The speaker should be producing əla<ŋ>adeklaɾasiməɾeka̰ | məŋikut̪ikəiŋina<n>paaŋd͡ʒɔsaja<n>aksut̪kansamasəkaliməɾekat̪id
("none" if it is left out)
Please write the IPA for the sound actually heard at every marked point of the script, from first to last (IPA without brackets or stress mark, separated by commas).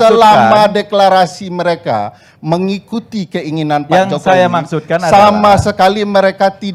m, n, m